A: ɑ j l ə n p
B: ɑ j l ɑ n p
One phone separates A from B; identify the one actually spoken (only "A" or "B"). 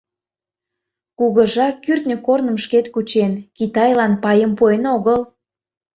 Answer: B